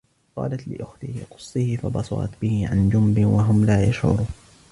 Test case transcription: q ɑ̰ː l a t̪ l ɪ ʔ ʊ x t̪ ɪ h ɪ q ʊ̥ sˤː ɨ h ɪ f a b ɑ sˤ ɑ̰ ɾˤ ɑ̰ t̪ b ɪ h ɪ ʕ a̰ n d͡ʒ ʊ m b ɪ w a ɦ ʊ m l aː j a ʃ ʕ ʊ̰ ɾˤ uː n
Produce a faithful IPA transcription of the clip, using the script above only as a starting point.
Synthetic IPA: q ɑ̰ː l a t̪ l ɪ ʔ ʊ x t̪ ɪ h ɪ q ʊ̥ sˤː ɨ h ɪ f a b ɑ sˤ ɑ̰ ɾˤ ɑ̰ t̪ b ɪ h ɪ ʕ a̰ n d͡ʒ ʊ m b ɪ w a ɦ ʊ m l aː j a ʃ ʕ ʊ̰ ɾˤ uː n